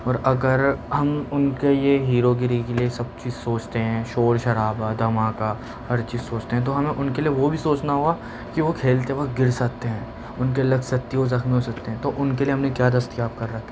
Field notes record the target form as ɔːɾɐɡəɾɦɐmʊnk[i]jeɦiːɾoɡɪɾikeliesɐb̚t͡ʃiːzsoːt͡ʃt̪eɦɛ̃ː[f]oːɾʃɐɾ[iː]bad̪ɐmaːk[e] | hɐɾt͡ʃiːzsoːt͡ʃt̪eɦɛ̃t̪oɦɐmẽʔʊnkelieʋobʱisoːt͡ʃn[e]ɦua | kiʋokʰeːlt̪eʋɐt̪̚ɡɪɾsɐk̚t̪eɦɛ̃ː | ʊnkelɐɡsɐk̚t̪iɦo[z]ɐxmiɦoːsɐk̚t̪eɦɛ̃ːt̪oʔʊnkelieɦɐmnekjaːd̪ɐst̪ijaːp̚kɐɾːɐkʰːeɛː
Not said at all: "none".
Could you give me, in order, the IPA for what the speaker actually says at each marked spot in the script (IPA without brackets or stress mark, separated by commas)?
e, ʃ, aː, a, a, z